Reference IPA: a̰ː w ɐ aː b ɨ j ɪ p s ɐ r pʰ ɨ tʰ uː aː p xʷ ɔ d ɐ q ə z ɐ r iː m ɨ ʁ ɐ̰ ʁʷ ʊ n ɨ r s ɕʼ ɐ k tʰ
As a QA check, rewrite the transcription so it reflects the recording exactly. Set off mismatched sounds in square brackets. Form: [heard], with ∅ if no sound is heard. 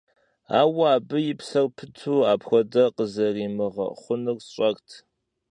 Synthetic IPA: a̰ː w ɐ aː b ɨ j ɪ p s ɐ r pʰ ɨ tʰ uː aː p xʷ ɔ d ɐ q ə z ɐ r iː m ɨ ʁ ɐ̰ [χʷ] ʊ n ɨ r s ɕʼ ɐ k tʰ